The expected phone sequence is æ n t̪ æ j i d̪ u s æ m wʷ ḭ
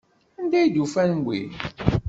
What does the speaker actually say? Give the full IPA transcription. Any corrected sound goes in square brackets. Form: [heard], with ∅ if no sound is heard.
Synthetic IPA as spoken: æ n [d̪] æ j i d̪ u [f] æ [n] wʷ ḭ